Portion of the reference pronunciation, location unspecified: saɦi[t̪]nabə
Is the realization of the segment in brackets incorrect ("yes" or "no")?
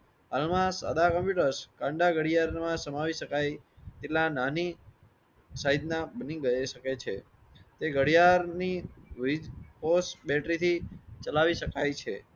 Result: yes